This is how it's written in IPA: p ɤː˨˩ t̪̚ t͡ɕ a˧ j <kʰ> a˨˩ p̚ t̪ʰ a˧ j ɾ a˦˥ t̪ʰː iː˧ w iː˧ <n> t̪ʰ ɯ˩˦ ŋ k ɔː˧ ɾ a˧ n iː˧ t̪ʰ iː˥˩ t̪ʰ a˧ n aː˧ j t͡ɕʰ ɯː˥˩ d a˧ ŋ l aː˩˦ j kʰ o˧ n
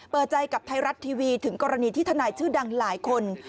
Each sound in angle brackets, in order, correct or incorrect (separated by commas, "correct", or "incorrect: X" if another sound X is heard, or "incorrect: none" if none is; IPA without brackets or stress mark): incorrect: k, incorrect: none